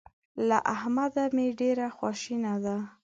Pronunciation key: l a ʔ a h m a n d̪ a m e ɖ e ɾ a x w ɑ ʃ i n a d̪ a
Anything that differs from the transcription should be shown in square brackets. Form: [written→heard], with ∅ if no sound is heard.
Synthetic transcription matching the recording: l a ʔ a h m a [n→∅] d̪ a m e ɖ e ɾ a x w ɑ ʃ i n a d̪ a